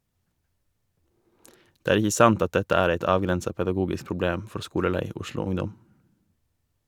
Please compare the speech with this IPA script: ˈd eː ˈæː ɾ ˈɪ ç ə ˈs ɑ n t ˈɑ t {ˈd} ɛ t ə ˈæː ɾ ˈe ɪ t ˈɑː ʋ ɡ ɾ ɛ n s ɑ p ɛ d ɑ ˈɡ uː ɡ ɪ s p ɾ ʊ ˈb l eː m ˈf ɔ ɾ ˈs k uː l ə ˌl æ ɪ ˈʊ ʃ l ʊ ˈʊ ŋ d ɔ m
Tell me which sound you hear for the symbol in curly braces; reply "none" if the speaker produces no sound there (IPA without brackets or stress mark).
d